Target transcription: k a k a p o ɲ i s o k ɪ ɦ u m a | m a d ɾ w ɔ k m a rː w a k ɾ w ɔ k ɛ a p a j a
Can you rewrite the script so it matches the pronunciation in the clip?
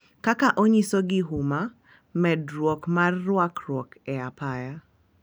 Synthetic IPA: k a k a ʔ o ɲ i s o ɡ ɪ ɦ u m a | m ɛ d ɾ w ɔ k m a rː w a k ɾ w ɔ k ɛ a p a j a